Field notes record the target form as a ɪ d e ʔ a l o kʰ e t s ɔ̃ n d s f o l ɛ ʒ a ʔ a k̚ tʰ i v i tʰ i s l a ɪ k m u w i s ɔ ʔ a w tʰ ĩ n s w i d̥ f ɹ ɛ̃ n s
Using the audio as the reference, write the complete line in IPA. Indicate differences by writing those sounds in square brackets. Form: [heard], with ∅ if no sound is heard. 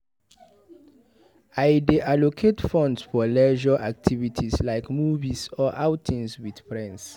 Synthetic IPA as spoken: a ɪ d e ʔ a l o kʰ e t [f] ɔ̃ n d s f [ɔ] l ɛ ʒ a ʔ a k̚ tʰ i v i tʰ i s l a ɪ k m u [v] i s ɔ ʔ a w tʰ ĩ n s w i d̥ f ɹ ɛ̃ n s